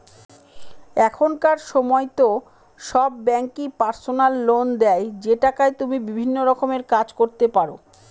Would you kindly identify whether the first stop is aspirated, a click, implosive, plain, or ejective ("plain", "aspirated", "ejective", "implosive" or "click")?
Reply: aspirated